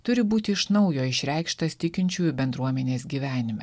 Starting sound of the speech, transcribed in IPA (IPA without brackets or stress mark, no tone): t̪